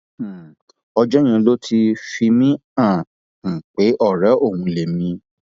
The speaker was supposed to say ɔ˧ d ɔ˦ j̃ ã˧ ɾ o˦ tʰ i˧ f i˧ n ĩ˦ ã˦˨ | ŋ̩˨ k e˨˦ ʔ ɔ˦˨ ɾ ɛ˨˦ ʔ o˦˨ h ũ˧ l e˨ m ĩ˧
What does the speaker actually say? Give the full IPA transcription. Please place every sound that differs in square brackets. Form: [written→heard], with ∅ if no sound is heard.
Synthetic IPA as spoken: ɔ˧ [d→d͡ʒ] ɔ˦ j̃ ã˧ [ɾ→l] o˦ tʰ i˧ f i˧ [n→m] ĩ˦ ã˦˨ | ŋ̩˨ [k→k͡p] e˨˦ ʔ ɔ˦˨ ɾ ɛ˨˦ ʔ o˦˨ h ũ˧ l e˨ m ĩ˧